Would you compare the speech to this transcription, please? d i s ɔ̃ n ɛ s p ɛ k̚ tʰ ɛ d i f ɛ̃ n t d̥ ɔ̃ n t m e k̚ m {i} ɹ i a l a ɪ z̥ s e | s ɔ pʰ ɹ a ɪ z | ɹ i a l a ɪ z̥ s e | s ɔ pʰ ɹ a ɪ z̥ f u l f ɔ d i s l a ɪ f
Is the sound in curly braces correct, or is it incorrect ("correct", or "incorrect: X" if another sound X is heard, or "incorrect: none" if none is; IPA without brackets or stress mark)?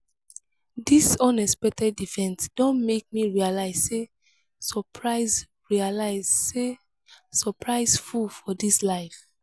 correct